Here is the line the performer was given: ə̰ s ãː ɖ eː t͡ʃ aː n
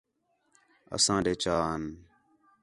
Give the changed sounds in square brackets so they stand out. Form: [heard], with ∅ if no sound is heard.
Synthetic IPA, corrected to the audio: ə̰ s ãː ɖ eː t͡ʃ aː n